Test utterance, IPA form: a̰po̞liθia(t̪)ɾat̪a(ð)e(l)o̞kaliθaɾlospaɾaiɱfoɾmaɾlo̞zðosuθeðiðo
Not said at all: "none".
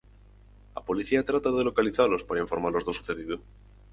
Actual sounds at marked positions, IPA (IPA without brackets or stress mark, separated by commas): t̪, ð, l